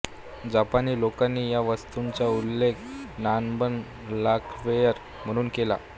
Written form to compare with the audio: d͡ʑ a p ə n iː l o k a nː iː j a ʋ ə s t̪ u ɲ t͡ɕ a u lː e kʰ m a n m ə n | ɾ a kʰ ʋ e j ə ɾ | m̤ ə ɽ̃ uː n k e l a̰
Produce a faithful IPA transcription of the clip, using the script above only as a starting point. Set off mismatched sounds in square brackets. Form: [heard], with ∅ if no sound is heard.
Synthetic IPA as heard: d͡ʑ a p [a] n iː l o k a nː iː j a ʋ ə s t̪ u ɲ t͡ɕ a u lː e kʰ [n] a n [b] ə n | [l] a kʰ ʋ e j ə ɾ | m̤ ə ɽ̃ uː n k e l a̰